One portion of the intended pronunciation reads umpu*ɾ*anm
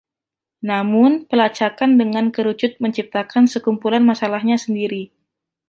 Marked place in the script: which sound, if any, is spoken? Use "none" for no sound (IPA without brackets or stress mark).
l